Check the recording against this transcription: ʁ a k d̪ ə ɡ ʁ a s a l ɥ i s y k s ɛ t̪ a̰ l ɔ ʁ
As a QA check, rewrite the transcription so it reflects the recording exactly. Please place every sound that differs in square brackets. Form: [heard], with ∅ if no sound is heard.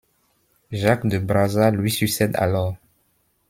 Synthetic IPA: [ʒ] a k d̪ ə [b] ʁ a [z] a l ɥ i s y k s ɛ [d̪] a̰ l ɔ ʁ